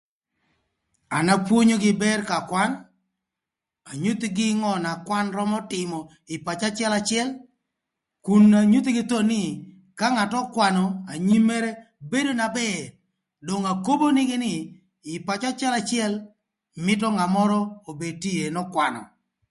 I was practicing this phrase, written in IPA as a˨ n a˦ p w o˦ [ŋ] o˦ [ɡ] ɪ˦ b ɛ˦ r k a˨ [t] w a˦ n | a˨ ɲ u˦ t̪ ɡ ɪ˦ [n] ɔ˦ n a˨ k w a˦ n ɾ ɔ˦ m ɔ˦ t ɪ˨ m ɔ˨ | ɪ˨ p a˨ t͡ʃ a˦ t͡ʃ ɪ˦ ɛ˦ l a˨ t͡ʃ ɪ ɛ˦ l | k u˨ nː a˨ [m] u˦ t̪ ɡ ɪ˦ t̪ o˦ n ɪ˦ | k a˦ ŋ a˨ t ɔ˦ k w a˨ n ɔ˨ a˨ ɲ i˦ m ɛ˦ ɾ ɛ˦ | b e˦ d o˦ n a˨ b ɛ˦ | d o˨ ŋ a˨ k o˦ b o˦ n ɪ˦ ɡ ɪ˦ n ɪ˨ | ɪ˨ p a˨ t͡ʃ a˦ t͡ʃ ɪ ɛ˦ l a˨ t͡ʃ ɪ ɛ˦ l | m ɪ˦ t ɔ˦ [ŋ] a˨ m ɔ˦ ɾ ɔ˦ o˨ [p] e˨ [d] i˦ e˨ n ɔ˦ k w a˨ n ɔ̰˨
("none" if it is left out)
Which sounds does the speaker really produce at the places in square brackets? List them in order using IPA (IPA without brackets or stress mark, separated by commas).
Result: ɲ, ɡ, k, ŋ, ɲ, ŋ, b, t